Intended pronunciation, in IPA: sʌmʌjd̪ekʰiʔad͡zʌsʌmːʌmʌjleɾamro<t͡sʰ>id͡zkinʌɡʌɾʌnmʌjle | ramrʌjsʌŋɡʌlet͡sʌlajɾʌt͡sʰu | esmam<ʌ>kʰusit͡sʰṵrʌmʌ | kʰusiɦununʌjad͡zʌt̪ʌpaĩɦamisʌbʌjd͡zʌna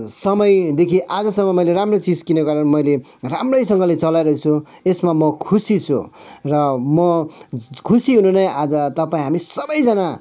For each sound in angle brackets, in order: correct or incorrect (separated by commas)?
incorrect, correct